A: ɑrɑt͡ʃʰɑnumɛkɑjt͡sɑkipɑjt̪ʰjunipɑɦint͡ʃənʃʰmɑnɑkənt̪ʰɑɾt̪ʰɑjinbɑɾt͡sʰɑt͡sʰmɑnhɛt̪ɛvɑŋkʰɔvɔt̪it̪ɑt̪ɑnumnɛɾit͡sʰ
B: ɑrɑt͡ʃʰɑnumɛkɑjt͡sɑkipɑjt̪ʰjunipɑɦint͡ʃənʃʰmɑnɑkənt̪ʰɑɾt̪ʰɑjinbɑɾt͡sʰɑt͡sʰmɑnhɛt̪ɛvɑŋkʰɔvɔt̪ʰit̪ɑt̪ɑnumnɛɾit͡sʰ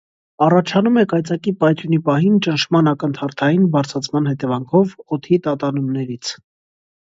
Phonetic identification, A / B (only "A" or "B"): B